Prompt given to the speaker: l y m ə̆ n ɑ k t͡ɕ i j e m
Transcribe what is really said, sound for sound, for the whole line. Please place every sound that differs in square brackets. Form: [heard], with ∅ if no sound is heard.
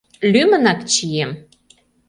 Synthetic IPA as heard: l y m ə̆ n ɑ k t͡ɕ i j e m